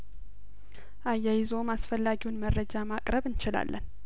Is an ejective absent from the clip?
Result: no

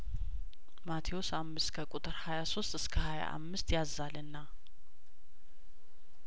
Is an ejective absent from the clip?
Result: no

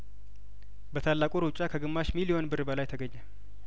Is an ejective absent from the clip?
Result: no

